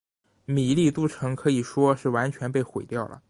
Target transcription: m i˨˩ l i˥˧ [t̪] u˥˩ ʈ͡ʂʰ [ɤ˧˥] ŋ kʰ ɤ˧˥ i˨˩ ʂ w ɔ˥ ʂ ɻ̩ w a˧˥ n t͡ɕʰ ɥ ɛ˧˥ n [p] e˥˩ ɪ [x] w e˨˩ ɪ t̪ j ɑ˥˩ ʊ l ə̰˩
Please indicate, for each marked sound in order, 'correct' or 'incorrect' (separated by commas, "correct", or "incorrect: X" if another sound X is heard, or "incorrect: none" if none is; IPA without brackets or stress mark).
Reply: correct, correct, correct, correct